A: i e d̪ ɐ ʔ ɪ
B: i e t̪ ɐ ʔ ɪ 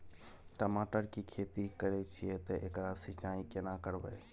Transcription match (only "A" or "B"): B